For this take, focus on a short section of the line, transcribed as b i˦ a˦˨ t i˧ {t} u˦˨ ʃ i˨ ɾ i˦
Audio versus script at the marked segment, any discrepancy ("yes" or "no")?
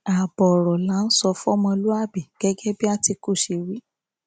yes